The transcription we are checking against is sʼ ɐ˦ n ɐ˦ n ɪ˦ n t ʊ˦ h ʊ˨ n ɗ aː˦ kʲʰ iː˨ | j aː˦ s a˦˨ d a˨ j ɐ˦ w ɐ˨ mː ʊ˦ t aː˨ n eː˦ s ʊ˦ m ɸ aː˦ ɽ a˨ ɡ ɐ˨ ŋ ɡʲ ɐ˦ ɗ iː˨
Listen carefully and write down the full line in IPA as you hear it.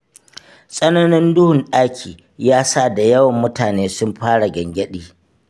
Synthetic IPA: sʼ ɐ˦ n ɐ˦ n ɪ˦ n d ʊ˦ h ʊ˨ n ɗ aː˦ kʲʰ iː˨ | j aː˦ s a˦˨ d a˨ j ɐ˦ w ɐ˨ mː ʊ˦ t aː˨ n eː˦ s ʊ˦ m ɸ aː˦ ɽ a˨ ɡ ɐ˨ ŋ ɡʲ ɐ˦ ɗ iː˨